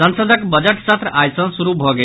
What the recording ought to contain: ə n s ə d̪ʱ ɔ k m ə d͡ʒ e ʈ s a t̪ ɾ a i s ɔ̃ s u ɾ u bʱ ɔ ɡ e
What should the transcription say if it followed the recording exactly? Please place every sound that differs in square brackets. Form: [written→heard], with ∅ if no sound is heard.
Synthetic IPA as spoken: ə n s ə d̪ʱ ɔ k [m→b] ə d͡ʒ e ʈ s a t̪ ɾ a [i→j] s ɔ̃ s u ɾ u bʱ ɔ ɡ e